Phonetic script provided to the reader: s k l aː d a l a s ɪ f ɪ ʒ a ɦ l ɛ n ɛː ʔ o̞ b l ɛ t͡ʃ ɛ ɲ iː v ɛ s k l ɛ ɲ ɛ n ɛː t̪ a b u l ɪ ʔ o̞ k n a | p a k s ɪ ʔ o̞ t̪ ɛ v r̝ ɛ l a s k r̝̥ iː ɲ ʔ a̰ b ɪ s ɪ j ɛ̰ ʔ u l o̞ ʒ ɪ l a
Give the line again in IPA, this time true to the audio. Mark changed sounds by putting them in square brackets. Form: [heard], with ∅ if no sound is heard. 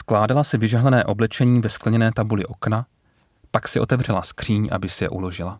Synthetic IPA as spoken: s k l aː d a l a s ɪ [v] ɪ ʒ a ɦ l ɛ n ɛː ʔ o̞ b l ɛ t͡ʃ ɛ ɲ iː v ɛ s k l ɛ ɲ ɛ n ɛː t̪ a b u l ɪ ʔ o̞ k n a | p a k s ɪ ʔ o̞ t̪ ɛ v r̝ ɛ l a s k r̝̥ iː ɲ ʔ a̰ b ɪ s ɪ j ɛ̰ ʔ u l o̞ ʒ ɪ l a